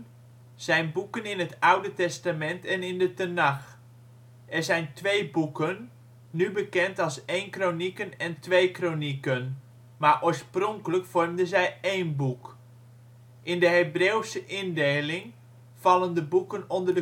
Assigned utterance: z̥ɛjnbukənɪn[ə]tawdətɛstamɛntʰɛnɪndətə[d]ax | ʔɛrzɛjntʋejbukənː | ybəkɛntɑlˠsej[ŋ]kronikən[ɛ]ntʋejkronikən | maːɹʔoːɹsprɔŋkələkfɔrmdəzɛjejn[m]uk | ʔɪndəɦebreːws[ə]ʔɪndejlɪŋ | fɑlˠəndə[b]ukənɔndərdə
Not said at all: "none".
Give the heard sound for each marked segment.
ə, n, n, ɛ, b, ə, b

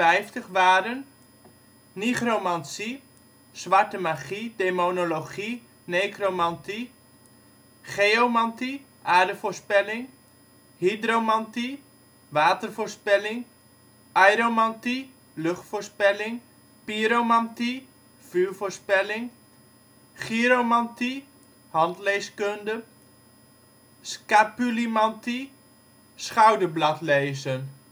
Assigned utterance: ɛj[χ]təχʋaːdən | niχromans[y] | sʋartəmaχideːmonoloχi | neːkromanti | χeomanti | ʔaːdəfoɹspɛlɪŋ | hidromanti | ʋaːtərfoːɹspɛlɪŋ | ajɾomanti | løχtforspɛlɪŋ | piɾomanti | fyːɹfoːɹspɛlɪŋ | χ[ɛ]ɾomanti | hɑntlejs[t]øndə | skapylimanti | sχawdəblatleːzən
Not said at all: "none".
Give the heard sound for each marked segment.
f, i, i, k

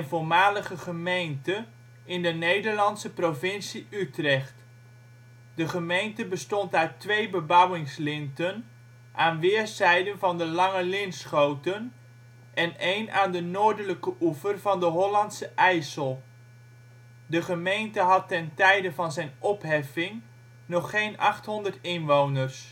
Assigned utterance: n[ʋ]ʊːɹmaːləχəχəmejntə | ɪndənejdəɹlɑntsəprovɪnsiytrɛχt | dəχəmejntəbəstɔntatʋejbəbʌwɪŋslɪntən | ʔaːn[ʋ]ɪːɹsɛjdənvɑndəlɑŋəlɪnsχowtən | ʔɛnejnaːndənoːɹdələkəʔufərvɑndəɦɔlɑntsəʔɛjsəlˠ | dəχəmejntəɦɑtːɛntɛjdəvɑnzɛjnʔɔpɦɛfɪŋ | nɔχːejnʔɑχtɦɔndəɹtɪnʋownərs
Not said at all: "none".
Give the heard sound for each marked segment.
v, ʋ

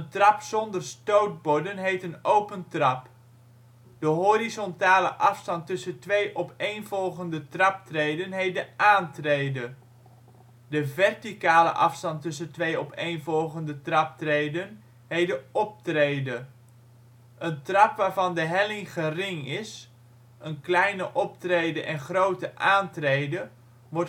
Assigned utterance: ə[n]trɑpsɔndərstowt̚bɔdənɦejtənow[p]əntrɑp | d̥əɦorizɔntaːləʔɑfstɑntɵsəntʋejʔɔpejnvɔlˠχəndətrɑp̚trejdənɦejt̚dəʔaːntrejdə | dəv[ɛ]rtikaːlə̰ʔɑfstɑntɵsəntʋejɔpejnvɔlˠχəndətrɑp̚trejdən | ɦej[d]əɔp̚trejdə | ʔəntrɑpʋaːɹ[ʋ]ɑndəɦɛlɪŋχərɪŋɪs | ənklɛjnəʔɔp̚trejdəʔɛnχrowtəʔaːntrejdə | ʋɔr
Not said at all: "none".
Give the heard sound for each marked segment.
n, p, ɛ, d, v

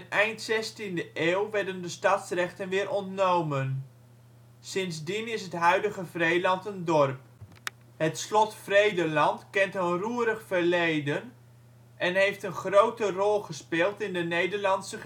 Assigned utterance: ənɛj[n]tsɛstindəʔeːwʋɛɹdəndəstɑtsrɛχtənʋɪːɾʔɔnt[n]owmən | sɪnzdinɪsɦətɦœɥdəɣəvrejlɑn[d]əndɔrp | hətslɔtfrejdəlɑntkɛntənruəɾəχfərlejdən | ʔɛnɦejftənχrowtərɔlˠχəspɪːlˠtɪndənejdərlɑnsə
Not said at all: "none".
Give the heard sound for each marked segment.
n, n, t

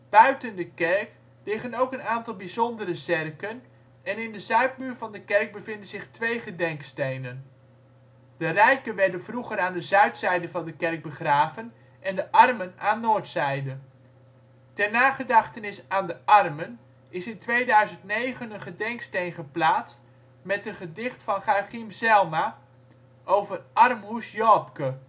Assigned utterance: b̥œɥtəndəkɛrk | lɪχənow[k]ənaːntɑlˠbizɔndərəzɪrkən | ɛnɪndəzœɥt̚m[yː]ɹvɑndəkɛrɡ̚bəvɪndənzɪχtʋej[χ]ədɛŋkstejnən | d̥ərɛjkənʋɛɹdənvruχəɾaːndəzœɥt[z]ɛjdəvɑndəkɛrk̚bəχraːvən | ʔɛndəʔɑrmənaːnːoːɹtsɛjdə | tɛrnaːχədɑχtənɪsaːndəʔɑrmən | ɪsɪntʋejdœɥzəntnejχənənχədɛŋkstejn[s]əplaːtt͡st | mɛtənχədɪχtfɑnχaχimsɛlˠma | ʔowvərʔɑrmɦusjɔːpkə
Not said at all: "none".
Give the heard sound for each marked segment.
k, yː, χ, s, χ

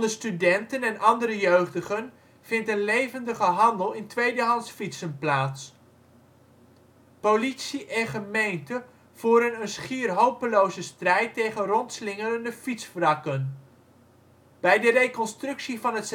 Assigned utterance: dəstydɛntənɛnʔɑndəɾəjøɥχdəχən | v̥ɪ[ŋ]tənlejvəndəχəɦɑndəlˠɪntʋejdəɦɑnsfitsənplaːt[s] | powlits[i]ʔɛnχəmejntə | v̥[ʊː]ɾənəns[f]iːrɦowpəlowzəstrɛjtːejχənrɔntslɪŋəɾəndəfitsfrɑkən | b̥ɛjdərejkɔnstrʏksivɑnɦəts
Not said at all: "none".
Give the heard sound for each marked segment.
n, s, i, uː, χ

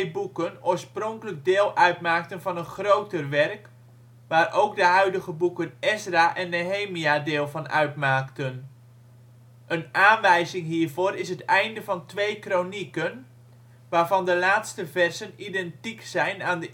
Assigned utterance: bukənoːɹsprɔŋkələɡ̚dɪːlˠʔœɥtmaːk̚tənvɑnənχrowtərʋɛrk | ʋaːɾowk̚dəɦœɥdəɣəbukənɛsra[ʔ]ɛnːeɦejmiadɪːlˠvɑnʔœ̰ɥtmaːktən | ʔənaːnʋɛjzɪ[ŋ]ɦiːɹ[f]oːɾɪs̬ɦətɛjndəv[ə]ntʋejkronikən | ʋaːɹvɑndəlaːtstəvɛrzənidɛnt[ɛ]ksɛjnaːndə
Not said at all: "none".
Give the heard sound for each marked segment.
ʔ, ŋ, v, ɑ, i

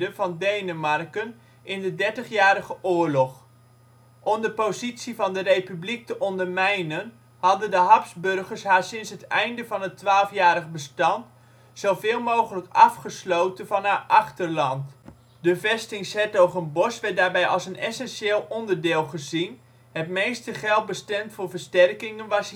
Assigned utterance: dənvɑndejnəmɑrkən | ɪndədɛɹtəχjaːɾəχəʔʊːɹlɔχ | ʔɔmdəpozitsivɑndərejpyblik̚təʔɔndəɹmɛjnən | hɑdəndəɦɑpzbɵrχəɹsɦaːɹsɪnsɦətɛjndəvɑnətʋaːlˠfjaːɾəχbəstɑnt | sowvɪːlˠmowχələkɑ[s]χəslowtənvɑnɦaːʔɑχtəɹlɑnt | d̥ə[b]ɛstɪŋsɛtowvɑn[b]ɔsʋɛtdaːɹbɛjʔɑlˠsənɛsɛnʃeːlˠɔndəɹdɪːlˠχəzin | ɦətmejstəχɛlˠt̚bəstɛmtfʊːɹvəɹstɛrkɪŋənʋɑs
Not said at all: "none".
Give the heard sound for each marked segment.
f, v, b

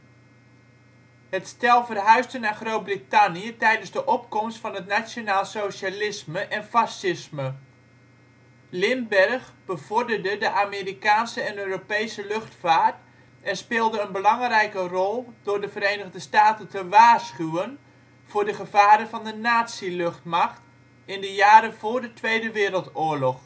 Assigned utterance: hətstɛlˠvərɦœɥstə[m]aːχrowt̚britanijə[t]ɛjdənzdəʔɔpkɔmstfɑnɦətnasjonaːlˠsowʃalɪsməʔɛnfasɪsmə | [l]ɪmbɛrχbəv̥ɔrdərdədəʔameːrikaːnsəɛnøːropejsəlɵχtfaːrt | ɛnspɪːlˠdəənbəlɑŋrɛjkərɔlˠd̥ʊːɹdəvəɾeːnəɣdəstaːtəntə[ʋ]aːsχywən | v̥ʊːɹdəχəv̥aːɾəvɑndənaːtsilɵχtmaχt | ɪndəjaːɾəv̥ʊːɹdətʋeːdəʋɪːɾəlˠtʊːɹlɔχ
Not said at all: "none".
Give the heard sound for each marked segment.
n, t, l, ʋ

